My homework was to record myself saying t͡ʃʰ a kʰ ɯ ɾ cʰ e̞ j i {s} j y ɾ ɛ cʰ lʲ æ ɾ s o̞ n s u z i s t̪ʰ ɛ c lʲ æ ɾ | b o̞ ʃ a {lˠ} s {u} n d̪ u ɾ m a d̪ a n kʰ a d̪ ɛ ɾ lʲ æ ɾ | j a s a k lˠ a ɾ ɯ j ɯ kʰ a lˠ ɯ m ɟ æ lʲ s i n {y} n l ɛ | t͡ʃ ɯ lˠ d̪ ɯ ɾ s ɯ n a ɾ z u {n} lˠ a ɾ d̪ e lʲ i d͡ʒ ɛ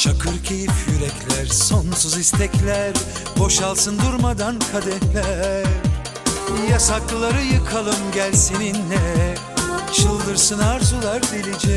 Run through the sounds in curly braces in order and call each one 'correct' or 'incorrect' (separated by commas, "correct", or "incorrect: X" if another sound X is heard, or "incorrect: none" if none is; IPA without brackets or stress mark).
incorrect: f, correct, incorrect: ɯ, incorrect: i, incorrect: none